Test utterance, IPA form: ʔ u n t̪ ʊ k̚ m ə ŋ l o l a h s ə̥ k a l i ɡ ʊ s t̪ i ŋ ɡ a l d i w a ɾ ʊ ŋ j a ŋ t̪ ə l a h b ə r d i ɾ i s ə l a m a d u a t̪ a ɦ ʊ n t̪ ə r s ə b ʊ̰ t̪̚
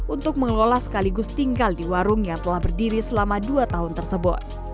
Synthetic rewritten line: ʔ u n t̪ ʊ k̚ m ə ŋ l o l a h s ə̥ k a l i ɡ ʊ s t̪ i ŋ ɡ a l d i w a ɾ ʊ ŋ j a ŋ t̪ ə l a h b ə r d i ɾ i s ə l a m a d u a t̪ a ɦ ʊ n t̪ ə r s ə b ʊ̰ t̪̚